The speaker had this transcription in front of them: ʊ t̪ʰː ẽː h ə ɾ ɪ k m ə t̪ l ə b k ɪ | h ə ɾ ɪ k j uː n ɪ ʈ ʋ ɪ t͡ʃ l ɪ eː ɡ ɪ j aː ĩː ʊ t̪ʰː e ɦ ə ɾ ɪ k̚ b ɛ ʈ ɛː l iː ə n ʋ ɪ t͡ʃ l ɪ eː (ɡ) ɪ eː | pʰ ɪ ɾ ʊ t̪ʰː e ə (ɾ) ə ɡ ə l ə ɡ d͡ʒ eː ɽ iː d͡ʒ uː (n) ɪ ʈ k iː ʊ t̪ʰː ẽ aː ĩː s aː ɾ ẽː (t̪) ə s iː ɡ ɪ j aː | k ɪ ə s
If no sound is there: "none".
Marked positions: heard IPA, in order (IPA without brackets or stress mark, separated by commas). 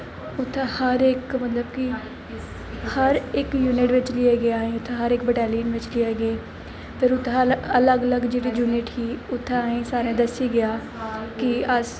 ɡ, l, n, d̪